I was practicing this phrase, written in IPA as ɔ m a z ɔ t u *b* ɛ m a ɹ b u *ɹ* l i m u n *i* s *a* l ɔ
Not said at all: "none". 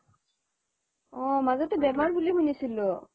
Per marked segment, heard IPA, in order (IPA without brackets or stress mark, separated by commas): b, none, i, i